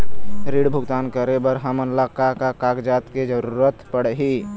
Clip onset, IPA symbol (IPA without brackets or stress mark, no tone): ɾ